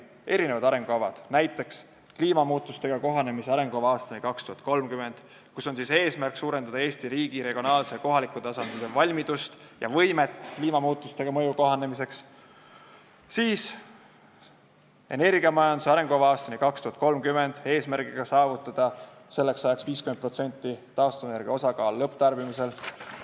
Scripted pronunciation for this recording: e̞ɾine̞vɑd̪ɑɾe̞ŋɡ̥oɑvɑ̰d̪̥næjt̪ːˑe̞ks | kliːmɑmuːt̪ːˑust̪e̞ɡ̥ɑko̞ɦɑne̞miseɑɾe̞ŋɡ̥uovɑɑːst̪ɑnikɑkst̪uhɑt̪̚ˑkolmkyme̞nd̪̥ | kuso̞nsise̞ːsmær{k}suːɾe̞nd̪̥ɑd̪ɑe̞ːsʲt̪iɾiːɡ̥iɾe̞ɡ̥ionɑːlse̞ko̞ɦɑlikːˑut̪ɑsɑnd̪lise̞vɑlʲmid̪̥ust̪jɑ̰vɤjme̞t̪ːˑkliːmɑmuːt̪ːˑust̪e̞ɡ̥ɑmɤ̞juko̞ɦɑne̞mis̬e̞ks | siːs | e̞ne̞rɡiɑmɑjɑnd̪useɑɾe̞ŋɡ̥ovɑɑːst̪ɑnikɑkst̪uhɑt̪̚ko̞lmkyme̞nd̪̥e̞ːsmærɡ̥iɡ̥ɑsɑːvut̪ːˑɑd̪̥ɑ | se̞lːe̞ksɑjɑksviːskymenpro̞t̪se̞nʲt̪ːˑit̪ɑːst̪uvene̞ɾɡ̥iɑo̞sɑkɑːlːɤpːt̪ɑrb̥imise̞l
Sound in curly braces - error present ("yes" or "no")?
no